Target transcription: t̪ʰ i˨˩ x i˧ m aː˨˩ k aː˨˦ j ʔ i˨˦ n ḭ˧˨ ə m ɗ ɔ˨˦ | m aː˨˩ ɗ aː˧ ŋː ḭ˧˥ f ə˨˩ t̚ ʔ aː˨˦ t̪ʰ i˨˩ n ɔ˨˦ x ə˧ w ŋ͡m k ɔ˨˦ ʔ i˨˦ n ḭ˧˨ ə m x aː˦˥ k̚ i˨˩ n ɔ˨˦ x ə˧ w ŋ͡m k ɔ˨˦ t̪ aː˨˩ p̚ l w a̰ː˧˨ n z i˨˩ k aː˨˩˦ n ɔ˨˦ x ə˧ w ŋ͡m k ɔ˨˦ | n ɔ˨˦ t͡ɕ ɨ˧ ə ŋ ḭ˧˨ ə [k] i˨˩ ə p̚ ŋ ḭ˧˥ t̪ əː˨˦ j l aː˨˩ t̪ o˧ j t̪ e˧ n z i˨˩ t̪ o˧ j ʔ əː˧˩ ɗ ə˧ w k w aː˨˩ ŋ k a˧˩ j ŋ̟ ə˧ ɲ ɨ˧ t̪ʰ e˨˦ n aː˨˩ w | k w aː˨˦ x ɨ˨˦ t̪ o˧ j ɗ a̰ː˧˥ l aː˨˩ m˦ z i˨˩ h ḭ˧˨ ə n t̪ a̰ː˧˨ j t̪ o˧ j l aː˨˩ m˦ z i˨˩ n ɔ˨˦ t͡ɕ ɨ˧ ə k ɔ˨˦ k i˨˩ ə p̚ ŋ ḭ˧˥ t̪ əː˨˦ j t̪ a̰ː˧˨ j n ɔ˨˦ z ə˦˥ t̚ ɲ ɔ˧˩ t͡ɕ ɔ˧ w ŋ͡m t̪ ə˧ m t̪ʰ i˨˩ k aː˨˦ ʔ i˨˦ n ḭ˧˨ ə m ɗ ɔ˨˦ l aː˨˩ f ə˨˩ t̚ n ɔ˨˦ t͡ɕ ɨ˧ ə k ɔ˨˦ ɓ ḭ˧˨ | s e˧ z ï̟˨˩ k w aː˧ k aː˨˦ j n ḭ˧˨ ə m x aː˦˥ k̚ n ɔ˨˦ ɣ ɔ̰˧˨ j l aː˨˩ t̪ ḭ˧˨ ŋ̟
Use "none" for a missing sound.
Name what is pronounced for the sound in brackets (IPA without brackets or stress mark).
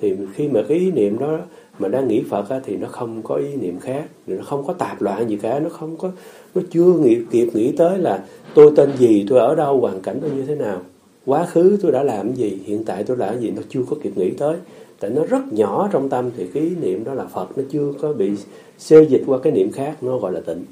k